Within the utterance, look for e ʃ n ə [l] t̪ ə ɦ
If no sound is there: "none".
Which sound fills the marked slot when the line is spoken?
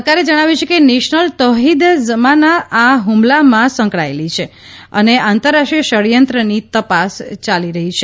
l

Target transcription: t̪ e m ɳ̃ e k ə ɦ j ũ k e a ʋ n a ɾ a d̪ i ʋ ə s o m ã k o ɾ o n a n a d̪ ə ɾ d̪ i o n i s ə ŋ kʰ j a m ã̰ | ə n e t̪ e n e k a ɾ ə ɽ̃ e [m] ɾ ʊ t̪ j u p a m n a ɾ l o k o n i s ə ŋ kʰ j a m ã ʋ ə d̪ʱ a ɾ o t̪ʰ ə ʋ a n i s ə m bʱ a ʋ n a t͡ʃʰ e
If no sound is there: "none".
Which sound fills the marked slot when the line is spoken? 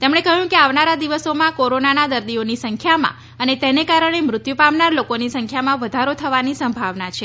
m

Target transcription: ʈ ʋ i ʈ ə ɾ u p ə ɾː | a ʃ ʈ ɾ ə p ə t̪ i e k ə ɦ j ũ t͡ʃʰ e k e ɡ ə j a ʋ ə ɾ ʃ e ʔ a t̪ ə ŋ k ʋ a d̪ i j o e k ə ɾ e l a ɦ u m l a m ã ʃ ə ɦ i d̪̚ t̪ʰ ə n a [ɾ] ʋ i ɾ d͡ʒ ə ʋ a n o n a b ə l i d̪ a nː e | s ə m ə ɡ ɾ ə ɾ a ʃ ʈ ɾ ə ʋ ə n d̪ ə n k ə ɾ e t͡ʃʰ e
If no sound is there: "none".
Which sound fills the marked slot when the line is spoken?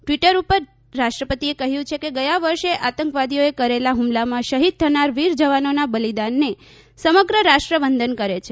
ɾ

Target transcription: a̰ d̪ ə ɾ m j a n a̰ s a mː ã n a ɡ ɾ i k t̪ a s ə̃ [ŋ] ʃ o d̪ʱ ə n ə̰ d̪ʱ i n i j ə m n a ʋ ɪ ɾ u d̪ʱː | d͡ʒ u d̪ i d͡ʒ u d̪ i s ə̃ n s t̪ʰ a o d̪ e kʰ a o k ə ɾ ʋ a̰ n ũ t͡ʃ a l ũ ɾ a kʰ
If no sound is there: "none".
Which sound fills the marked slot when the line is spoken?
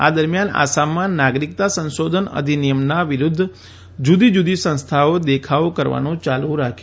n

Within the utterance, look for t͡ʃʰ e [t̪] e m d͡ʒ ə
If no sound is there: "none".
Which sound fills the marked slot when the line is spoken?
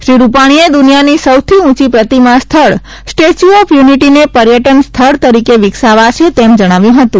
t̪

